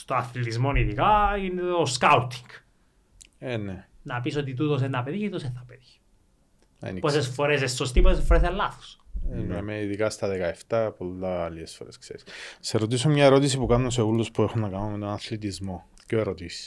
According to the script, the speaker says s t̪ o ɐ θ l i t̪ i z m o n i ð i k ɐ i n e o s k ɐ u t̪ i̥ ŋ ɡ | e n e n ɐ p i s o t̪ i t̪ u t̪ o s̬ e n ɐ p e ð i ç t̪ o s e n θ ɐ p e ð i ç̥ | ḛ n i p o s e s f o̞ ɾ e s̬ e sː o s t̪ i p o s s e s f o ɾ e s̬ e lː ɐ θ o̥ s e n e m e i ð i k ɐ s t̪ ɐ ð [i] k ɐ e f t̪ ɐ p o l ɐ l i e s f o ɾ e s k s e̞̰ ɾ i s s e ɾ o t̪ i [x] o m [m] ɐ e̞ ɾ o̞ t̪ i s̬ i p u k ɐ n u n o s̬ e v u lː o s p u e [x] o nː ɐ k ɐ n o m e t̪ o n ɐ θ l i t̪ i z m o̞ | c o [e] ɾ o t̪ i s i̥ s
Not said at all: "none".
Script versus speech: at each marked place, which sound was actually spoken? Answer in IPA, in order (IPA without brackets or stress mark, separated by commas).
e, s, ɲ, x, e